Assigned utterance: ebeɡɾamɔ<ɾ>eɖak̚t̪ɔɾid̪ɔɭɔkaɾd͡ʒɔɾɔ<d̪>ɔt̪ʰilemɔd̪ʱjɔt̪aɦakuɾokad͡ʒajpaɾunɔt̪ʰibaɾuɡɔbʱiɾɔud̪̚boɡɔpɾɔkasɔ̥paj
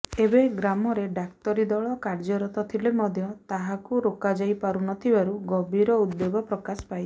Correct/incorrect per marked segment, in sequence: correct, incorrect

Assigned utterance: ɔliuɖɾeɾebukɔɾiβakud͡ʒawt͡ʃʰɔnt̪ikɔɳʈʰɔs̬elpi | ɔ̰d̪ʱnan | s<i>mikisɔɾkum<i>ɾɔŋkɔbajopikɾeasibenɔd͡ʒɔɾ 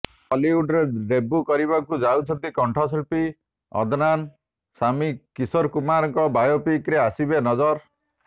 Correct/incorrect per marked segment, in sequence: incorrect, incorrect

